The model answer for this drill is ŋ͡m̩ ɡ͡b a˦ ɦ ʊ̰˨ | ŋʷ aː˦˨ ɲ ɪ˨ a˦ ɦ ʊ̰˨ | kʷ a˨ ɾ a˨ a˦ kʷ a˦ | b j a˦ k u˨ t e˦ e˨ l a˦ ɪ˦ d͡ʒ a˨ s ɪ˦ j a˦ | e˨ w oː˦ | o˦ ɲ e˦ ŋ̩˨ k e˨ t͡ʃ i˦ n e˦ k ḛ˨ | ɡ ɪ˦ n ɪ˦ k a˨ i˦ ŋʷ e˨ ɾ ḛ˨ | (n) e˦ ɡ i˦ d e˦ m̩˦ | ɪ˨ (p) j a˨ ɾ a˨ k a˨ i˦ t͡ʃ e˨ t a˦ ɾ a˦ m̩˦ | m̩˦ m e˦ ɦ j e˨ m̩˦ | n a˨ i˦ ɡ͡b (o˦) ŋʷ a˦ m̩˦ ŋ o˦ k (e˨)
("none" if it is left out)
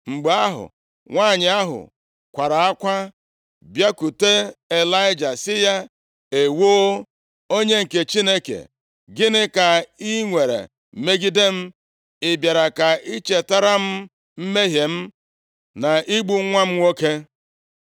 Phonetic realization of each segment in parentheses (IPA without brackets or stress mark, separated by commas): m, b, u˦, e˦